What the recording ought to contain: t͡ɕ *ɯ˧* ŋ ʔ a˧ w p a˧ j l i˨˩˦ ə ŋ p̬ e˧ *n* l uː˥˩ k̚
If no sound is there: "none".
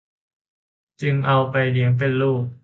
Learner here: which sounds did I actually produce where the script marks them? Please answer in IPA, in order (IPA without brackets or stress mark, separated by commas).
ɯ˧, n